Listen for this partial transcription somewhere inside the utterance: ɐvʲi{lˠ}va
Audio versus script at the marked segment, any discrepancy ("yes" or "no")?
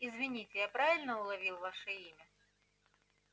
no